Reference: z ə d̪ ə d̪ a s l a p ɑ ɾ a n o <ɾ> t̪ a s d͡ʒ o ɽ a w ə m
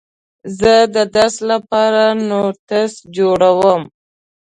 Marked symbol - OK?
yes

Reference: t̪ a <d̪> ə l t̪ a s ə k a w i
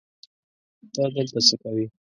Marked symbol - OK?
yes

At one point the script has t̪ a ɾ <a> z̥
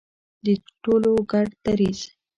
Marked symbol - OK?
no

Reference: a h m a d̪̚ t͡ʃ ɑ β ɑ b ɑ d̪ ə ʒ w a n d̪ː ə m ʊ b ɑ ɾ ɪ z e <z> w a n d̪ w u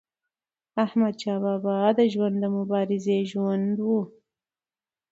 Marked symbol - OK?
no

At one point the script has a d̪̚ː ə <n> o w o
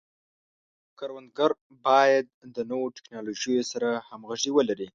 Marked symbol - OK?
yes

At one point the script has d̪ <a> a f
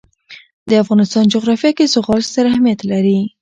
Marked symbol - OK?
no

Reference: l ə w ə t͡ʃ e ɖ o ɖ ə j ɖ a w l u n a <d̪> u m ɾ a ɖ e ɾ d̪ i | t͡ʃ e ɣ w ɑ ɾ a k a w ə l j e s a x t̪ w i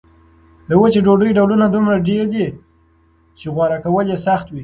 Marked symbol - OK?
yes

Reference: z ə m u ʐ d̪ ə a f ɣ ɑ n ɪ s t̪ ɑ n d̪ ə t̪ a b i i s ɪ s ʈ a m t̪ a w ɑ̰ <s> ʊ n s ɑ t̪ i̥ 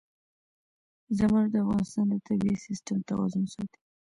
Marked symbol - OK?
no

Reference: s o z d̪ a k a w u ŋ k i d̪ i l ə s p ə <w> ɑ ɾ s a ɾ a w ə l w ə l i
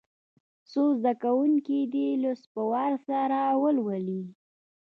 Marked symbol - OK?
yes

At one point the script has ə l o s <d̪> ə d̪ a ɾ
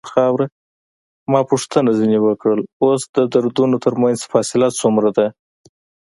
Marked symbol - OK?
yes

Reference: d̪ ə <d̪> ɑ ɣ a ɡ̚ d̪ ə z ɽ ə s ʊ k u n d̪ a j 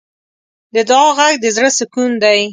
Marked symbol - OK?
yes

